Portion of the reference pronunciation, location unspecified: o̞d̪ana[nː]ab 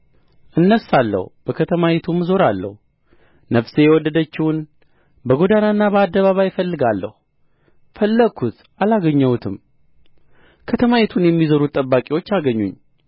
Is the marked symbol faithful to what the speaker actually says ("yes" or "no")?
yes